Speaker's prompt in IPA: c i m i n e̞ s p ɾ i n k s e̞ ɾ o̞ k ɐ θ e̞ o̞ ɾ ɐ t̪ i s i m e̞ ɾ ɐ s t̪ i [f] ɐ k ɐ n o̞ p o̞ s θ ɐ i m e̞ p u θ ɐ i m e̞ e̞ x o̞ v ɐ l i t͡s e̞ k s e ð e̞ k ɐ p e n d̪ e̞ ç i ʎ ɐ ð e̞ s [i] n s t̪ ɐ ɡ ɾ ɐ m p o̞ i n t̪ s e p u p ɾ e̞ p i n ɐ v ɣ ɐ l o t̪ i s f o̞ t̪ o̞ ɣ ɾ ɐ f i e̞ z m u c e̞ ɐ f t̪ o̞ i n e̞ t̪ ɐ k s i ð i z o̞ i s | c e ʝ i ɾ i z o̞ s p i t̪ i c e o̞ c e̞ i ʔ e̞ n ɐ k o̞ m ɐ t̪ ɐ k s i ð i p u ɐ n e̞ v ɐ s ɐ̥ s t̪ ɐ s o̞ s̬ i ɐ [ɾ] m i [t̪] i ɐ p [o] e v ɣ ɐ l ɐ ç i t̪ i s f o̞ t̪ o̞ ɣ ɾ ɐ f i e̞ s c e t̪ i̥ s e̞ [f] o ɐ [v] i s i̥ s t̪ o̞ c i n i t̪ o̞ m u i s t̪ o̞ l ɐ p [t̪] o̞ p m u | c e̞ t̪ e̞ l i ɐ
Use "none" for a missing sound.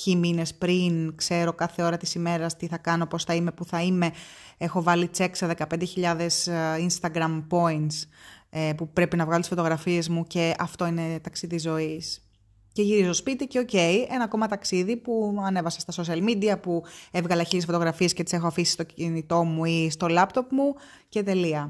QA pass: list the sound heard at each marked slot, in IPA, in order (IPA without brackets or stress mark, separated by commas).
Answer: θ, i, l, d̪, u, x, f, t̪